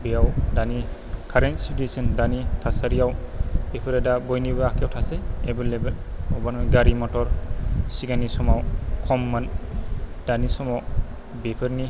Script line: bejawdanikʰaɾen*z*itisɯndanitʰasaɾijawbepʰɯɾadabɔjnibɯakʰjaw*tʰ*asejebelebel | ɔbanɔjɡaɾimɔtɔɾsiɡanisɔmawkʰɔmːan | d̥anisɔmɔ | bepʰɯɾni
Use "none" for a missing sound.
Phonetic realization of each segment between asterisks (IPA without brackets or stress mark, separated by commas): s, tʰ